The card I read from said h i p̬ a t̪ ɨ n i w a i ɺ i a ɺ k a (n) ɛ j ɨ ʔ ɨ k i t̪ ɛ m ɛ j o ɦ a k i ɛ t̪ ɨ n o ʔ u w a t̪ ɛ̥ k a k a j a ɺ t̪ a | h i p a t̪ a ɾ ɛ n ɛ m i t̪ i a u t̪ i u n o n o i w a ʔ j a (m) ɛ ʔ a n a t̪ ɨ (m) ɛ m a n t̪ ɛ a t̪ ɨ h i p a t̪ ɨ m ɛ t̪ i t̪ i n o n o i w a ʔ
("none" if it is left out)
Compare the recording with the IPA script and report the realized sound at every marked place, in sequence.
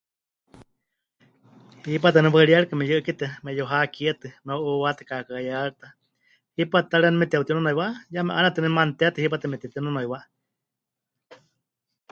m, m, n

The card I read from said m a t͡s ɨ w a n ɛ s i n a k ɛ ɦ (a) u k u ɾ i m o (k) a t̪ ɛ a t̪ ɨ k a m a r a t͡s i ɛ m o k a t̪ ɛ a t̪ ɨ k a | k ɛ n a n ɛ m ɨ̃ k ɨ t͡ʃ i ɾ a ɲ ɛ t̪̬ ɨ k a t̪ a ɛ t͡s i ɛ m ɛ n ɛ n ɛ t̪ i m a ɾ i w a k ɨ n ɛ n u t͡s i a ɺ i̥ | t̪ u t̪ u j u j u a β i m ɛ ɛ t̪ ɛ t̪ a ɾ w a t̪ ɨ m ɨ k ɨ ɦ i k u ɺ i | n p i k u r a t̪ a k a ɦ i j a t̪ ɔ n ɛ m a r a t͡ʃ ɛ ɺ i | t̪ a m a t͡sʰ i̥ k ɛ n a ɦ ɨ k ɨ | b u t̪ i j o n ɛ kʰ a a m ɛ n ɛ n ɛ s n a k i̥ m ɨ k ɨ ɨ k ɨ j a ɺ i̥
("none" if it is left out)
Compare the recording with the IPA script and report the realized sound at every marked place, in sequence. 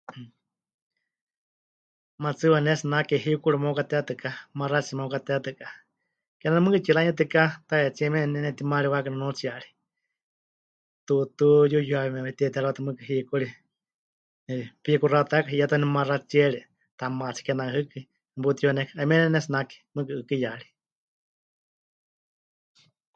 i, k

